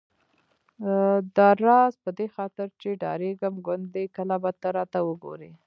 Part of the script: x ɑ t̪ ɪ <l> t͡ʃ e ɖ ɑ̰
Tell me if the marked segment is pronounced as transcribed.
no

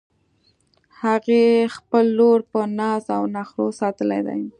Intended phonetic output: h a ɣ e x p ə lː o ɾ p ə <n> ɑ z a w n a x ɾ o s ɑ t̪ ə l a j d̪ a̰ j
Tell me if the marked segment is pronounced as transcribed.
yes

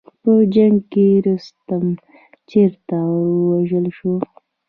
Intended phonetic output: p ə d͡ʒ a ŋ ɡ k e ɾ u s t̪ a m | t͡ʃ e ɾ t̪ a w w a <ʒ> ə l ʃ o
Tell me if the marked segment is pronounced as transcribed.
yes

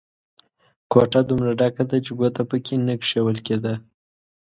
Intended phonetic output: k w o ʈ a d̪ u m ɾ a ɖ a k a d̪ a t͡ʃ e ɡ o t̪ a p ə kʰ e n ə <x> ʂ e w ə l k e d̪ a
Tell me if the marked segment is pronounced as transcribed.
no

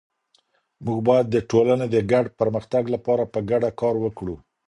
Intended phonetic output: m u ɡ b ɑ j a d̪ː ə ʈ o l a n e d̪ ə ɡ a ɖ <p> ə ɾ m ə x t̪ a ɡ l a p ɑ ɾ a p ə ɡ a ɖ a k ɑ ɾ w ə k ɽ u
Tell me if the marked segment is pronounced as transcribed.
yes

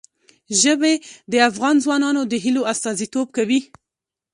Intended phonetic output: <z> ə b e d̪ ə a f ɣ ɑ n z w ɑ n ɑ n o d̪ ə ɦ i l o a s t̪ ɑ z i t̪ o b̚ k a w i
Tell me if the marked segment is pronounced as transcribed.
no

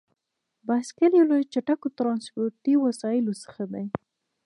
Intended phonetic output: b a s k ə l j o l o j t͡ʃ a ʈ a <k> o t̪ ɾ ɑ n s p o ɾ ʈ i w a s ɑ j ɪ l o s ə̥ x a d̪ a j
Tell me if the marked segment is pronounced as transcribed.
yes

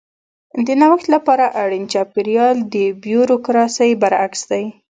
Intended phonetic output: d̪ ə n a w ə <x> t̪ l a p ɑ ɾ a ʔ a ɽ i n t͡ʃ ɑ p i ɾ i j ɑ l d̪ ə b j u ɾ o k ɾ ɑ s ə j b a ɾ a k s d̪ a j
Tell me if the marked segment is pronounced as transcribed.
yes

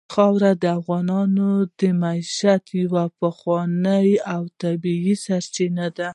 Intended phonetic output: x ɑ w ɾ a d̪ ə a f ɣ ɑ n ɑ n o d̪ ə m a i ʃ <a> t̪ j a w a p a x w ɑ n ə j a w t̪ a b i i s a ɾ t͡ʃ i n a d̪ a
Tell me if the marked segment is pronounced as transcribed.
yes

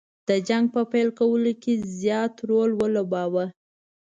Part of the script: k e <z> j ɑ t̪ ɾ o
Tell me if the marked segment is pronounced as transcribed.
yes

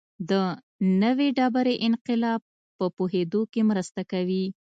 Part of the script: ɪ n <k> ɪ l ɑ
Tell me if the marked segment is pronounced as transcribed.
no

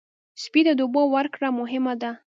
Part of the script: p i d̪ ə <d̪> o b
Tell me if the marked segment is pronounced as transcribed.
yes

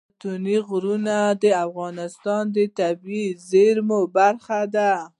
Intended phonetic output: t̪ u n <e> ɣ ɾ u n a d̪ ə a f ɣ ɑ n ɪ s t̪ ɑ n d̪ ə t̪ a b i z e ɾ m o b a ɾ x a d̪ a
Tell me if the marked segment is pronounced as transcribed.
no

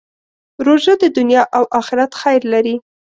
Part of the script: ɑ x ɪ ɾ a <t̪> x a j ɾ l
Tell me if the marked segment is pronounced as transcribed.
yes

